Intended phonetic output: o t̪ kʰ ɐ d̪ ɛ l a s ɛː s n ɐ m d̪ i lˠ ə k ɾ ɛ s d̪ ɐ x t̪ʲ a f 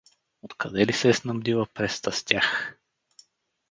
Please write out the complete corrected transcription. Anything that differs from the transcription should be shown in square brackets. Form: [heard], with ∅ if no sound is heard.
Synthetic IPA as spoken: o t̪ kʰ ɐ d̪ ɛ l [i] s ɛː s n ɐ m d̪ i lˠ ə [p] ɾ ɛ s [t̪] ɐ [s] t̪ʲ a [x]

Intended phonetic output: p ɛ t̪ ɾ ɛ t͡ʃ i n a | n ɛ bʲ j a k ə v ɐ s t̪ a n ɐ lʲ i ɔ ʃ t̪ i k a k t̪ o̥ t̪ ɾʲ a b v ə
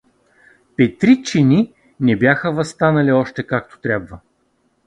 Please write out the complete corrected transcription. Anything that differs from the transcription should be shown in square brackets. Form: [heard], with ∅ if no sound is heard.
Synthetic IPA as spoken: p ɛ t̪ ɾ [i] t͡ʃ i n [i] | n ɛ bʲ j a [x] ə v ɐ s t̪ a n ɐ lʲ i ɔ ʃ t̪ [ɛ] k a k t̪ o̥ t̪ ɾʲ a b v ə

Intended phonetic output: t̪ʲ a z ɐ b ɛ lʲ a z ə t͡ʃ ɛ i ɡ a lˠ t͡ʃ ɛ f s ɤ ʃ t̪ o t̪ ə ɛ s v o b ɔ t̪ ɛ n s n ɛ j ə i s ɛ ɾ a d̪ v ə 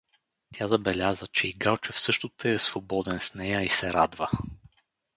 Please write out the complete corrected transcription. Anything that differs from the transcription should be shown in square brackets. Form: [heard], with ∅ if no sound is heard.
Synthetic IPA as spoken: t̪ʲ a z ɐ b ɛ lʲ a z ə t͡ʃ ɛ i ɡ a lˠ t͡ʃ ɛ f s ɤ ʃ t̪ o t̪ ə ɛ s v o b ɔ [d̪] ɛ n s n ɛ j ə i s ɛ ɾ a d̪ v ə

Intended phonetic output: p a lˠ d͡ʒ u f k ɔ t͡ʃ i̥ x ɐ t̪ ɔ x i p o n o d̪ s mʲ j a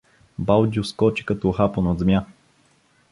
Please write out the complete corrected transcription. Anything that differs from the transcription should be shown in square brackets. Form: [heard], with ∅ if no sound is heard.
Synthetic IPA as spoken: [b] a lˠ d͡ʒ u [s] k ɔ t͡ʃ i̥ [k] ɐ t̪ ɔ x [a] p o n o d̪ [z] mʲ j a

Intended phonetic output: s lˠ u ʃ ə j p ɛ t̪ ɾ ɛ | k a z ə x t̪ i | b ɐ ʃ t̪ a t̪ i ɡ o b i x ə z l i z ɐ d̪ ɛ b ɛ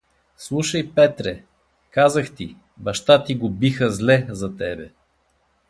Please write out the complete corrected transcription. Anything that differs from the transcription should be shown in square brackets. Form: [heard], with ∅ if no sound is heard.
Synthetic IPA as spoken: s lˠ u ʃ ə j p ɛ t̪ ɾ ɛ | k a z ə x t̪ i | b ɐ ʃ t̪ a t̪ i ɡ o b i x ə z l [ɛ] z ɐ [t̪] ɛ b ɛ

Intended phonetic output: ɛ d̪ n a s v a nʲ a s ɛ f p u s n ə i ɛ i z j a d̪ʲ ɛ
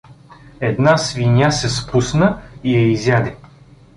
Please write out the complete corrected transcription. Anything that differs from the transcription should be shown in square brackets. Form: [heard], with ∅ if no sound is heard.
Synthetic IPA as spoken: ɛ d̪ n a s v [i] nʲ a s ɛ [s] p u s n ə i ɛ i z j a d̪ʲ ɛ

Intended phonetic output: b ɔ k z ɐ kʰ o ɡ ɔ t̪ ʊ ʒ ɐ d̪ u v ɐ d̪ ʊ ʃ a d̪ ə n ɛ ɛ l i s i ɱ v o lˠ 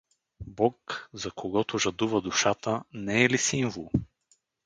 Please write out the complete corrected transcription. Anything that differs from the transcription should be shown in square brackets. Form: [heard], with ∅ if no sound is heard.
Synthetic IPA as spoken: b ɔ k z ɐ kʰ o ɡ ɔ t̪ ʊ ʒ ɐ d̪ u v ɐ d̪ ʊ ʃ a [t̪] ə n ɛ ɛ l i s i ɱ v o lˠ

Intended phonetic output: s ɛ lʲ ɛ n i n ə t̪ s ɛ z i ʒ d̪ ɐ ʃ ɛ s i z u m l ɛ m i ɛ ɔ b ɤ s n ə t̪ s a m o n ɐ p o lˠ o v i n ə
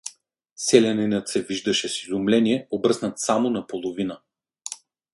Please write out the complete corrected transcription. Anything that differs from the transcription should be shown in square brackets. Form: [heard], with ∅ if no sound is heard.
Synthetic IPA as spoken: s ɛ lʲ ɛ n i n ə t̪ s ɛ [v] i ʒ d̪ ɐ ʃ ɛ s i z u m l ɛ [n] i ɛ [o] b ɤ s n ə t̪ s a m o n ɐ p o lˠ o v i n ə

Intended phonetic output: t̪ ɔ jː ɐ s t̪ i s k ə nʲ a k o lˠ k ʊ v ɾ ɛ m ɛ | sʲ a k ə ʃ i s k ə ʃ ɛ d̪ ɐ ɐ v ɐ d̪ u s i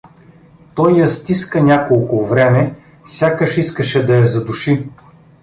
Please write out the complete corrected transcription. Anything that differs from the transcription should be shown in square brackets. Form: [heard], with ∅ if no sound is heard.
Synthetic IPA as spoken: t̪ ɔ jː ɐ s t̪ i s k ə nʲ a k o lˠ k ʊ v ɾ ɛ m ɛ | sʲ a k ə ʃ i s k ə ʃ ɛ d̪ ɐ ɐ [z] ɐ d̪ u [ʃ] i

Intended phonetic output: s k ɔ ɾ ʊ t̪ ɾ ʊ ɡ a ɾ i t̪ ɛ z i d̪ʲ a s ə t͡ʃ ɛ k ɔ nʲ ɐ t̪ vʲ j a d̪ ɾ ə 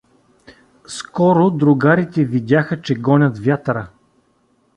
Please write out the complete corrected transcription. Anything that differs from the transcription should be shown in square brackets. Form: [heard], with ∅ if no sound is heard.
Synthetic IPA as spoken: s k ɔ ɾ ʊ [d̪] ɾ ʊ ɡ a ɾ i t̪ ɛ [v] i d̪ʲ a [x] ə t͡ʃ ɛ [ɡ] ɔ nʲ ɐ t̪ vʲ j a [t̪] ɾ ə

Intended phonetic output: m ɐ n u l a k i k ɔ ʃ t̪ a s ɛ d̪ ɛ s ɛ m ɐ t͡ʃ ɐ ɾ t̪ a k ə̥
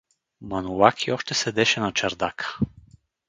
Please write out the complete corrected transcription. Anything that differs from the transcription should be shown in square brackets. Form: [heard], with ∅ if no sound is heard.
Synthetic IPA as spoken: m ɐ n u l a k i [∅] ɔ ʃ t̪ [ɛ] s ɛ d̪ ɛ [ʃ] ɛ [n] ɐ t͡ʃ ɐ ɾ [d̪] a k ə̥

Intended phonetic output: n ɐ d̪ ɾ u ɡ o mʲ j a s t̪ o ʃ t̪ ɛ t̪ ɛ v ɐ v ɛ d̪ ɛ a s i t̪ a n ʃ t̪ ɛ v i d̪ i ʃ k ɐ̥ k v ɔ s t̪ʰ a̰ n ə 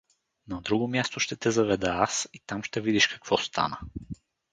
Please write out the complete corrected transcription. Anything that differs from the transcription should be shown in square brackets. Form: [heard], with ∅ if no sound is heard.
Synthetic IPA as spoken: n ɐ d̪ ɾ u ɡ o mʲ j a s t̪ o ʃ t̪ ɛ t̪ ɛ [z] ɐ v ɛ d̪ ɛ a s i t̪ a [m] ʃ t̪ ɛ v i d̪ i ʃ k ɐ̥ k v ɔ s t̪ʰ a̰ n ə

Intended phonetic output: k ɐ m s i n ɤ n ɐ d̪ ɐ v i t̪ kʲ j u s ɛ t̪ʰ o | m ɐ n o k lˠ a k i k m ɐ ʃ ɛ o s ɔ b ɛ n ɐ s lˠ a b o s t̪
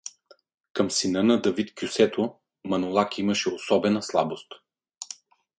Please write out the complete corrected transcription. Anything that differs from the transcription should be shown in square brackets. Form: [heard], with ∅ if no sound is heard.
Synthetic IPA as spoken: k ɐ m s i n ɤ n ɐ d̪ ɐ v i t̪ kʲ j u s ɛ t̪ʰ o | m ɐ n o [∅] lˠ a k i [∅] m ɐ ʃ ɛ o s ɔ b ɛ n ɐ s lˠ a b o s t̪

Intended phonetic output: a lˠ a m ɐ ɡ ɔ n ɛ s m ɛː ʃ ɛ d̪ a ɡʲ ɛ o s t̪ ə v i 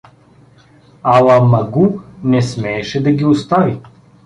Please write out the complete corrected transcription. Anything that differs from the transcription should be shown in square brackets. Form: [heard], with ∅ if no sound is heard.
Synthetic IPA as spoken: a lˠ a m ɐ ɡ [u] n ɛ s m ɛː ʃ ɛ d̪ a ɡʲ [i] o s t̪ [a] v i

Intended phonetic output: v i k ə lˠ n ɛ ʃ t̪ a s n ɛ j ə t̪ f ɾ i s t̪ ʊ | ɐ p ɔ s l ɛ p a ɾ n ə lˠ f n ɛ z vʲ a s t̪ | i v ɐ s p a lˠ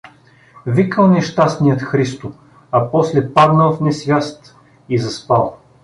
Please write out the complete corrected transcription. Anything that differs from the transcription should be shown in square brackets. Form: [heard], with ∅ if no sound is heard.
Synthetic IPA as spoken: v i k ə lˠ n ɛ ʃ t̪ a s n [i] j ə t̪ [x] ɾ i s t̪ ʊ | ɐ p ɔ s l ɛ p a ɾ n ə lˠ f n ɛ [s] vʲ a s t̪ | i [z] ɐ s p a lˠ

